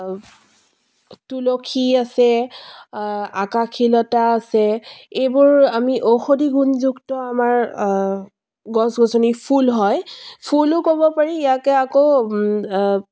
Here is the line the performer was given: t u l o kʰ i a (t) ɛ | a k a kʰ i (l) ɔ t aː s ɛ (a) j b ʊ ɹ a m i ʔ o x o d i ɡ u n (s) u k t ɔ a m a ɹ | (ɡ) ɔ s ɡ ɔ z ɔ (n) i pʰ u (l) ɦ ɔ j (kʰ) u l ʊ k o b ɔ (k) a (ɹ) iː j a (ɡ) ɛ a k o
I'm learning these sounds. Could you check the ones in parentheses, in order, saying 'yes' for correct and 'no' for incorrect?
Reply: no, yes, no, no, yes, yes, yes, no, no, yes, no

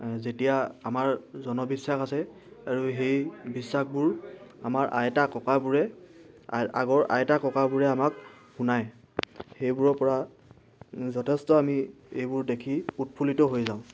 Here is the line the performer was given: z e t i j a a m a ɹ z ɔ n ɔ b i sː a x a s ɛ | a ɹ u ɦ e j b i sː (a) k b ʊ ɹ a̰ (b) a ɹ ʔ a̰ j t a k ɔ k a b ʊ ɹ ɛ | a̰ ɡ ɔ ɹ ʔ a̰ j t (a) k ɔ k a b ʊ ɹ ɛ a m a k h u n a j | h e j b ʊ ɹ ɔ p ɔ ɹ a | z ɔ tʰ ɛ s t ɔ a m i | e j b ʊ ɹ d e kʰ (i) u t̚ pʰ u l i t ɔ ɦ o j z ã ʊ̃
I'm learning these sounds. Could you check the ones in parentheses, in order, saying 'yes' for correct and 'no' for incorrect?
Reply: yes, no, yes, yes

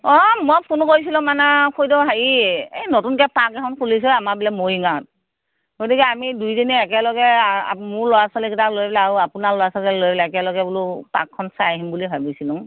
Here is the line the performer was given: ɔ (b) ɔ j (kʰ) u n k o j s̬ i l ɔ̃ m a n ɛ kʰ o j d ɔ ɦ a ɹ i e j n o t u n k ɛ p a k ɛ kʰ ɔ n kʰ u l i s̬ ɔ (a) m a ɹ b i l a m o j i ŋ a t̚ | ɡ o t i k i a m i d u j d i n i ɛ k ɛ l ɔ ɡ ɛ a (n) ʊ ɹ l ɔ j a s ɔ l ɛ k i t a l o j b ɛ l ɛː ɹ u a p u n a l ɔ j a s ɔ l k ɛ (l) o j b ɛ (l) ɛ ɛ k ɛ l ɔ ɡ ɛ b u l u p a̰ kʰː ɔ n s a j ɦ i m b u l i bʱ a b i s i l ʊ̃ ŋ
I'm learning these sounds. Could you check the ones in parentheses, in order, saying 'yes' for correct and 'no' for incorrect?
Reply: no, no, yes, no, yes, yes

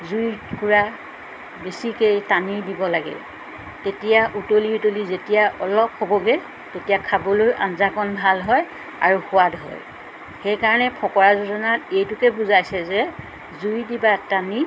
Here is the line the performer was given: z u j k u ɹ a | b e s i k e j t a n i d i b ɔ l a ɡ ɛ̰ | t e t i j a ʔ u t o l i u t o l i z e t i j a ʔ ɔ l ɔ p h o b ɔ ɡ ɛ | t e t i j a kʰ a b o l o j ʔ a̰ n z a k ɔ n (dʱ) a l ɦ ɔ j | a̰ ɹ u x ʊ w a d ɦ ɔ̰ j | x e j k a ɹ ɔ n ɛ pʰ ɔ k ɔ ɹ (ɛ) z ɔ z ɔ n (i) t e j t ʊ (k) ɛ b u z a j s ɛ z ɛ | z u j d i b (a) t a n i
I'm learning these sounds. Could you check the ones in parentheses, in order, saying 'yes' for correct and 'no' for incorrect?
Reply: no, no, no, yes, yes

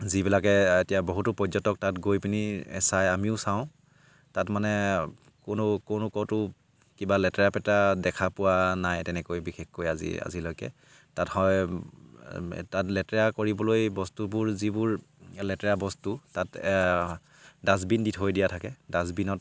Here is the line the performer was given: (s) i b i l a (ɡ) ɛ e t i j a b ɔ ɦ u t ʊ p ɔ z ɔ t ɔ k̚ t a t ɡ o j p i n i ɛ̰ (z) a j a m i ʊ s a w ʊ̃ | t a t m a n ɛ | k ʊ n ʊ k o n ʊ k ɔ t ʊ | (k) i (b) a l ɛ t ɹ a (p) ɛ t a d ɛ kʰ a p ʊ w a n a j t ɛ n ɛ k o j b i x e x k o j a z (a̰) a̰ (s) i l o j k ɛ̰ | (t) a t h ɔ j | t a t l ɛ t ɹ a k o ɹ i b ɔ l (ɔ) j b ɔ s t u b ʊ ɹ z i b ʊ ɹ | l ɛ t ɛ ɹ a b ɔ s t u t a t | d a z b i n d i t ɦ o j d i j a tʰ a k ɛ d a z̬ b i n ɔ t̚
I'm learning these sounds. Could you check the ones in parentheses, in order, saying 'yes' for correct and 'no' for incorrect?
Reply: no, no, no, yes, yes, yes, no, no, yes, no

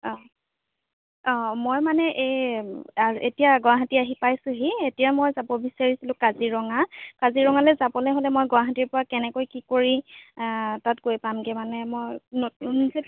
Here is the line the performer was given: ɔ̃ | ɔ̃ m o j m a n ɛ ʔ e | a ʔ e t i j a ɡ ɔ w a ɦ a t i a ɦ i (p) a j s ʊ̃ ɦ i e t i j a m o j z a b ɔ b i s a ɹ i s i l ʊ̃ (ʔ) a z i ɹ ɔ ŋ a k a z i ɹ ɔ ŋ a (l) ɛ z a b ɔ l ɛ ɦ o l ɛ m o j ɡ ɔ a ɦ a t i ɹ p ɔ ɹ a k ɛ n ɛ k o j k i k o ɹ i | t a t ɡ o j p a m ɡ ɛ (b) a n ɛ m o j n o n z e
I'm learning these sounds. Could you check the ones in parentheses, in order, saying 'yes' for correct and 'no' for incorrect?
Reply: yes, no, yes, no

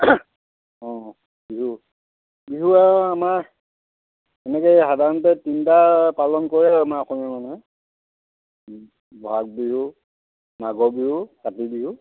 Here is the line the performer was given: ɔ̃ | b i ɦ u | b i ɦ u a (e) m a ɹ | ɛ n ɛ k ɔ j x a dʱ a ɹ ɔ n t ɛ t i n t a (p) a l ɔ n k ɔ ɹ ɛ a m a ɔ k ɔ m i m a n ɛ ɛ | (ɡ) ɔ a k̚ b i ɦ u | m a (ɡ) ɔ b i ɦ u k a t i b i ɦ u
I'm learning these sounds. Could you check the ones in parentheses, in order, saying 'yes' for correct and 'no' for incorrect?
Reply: no, yes, no, yes

